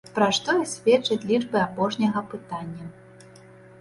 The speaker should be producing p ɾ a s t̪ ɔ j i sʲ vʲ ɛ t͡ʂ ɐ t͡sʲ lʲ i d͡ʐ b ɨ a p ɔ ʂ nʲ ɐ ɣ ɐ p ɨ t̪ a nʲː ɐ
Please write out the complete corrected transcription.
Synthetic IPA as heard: p ɾ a ʂ t̪ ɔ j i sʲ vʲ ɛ t͡ʂ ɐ t͡sʲ lʲ i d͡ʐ b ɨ a p ɔ ʂ nʲ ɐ ɣ ɐ p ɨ t̪ a nʲː ɐ